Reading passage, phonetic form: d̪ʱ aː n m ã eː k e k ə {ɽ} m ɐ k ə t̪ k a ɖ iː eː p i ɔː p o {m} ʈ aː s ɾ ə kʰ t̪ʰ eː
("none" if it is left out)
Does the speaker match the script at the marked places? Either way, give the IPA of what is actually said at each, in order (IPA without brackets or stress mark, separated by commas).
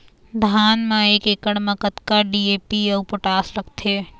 ɽ, none